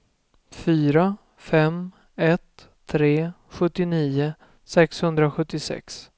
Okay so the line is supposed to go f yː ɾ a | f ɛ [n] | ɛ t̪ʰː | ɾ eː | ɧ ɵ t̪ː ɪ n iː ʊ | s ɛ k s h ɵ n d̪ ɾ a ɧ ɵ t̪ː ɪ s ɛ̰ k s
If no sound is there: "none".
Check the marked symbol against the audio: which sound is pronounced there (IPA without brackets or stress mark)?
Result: m